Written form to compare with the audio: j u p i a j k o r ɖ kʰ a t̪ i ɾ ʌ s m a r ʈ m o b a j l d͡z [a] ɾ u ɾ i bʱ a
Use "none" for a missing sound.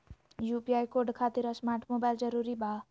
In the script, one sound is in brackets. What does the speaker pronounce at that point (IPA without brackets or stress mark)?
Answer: ʌ